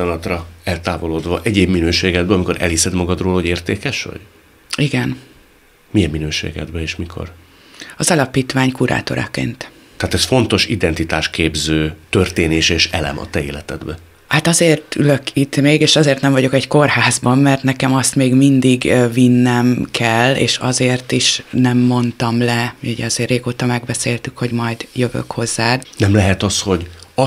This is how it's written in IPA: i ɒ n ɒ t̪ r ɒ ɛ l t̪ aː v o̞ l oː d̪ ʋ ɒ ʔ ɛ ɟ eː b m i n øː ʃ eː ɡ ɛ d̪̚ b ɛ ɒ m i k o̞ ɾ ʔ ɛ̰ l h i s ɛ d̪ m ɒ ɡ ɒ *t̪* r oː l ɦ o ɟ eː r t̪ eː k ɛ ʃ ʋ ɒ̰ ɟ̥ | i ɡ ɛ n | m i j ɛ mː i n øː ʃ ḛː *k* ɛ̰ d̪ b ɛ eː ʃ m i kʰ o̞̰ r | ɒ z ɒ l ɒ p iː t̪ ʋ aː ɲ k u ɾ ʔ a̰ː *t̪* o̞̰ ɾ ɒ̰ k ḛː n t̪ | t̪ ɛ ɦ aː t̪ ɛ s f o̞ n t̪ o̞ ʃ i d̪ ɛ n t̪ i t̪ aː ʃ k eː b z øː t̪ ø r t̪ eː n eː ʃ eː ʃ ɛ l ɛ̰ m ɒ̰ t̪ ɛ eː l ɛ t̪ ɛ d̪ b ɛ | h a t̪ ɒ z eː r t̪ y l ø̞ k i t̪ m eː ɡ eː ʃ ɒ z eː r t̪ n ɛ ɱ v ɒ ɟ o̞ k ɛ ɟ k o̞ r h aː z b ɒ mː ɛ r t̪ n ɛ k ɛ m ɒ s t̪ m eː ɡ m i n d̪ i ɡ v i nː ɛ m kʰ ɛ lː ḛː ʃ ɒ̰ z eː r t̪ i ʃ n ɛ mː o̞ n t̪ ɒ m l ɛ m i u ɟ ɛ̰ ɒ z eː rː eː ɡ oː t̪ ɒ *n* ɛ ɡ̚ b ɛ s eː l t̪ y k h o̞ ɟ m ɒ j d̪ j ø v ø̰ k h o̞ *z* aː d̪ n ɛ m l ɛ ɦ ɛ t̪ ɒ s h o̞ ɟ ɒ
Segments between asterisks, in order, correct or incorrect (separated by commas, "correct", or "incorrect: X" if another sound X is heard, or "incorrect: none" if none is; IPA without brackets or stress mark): incorrect: d̪, incorrect: ɡ, correct, incorrect: m, incorrect: zː